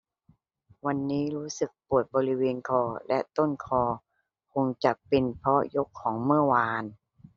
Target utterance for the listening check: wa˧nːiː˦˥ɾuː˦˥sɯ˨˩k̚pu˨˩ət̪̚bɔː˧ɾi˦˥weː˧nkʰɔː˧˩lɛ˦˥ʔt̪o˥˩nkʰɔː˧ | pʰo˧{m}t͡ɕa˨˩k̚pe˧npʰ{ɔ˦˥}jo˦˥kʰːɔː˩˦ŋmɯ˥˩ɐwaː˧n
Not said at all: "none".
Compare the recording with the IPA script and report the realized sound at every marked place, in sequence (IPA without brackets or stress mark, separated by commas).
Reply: ŋ, ɔ˦˥